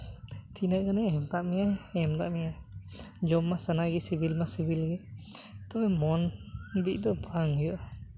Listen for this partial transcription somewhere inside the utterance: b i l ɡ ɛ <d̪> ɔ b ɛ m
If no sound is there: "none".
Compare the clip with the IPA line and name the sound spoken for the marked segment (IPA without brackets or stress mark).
t̪